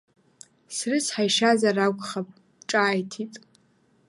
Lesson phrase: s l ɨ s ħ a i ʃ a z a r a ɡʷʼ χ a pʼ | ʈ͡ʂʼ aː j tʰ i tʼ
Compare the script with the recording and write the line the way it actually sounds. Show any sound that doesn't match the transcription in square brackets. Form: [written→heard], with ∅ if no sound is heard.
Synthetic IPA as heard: s [l→r] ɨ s ħ a [i→j] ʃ a z a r a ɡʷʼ χ a pʼ | ʈ͡ʂʼ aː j tʰ i tʼ